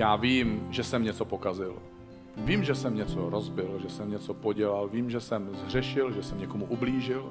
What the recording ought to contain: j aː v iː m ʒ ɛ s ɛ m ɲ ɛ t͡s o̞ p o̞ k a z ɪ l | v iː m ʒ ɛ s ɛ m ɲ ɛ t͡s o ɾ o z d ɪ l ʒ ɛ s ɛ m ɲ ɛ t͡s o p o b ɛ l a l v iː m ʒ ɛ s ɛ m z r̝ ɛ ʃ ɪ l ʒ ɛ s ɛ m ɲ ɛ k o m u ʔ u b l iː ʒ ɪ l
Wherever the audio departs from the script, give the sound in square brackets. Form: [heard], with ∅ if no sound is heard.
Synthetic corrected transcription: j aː v iː m ʒ ɛ s ɛ m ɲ ɛ t͡s o̞ p o̞ k a z ɪ l | v iː m ʒ ɛ s ɛ m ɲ ɛ t͡s o ɾ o z [b] ɪ l ʒ ɛ s ɛ m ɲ ɛ t͡s o p o [ɟ] ɛ l a l v iː m ʒ ɛ s ɛ m z r̝ ɛ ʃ ɪ l ʒ ɛ s ɛ m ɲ ɛ k o m u ʔ u b l iː ʒ ɪ l